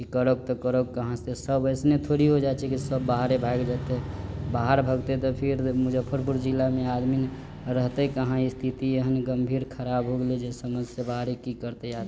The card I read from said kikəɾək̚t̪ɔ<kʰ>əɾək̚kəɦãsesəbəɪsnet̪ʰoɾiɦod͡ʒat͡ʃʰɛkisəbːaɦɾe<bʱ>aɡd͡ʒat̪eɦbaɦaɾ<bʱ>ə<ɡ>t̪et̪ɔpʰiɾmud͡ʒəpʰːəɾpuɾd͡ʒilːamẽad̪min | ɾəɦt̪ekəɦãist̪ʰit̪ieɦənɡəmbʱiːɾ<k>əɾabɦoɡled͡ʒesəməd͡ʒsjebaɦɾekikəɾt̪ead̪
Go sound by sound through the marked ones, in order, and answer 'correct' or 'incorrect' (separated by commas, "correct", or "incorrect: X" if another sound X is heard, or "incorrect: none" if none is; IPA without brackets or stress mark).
incorrect: k, correct, correct, correct, incorrect: kʰ